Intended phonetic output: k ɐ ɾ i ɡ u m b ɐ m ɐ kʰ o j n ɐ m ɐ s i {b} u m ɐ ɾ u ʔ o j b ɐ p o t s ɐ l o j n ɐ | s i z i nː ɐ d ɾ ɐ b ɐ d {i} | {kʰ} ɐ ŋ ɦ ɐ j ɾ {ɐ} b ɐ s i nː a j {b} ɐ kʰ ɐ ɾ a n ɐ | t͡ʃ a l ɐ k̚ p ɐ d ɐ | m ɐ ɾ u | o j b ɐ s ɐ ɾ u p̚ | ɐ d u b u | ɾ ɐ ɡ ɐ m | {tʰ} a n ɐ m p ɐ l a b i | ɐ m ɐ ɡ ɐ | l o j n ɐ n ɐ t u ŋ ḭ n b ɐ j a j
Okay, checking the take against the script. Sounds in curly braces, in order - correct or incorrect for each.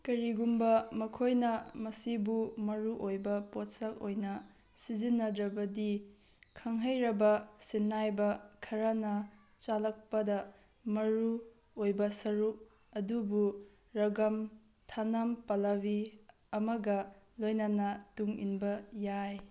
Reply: correct, correct, correct, correct, correct, correct

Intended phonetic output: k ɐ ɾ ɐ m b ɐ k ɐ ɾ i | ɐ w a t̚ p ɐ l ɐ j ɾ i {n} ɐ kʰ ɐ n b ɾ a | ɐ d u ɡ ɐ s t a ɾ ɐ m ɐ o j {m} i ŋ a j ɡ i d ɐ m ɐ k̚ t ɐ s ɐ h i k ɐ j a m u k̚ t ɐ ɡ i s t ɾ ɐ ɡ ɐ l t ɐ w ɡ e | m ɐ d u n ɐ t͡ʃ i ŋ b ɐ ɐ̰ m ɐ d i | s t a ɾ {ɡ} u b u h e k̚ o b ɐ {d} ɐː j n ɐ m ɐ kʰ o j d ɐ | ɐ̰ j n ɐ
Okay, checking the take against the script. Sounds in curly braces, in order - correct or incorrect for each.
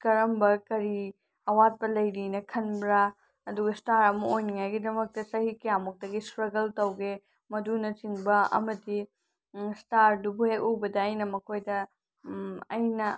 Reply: correct, incorrect: n, incorrect: d, correct

